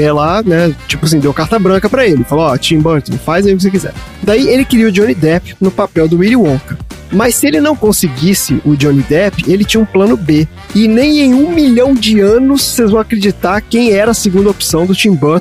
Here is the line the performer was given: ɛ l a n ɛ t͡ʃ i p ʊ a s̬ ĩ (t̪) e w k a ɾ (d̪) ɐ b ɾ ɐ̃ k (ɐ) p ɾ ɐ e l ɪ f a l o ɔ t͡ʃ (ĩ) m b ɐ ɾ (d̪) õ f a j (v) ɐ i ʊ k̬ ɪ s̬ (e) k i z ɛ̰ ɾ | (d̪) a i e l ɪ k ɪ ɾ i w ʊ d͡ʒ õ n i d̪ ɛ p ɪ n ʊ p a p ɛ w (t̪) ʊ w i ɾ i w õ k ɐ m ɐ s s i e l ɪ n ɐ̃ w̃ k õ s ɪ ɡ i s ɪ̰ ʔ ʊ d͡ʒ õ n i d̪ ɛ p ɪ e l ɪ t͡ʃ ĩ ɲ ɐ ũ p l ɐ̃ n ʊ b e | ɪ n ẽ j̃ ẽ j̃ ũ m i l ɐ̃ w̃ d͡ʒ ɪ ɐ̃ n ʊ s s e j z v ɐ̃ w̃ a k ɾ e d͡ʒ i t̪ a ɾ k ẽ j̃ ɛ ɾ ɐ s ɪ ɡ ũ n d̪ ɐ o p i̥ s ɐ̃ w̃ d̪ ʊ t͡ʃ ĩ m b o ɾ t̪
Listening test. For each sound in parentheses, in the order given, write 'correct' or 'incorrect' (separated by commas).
incorrect, incorrect, correct, correct, incorrect, incorrect, correct, correct, incorrect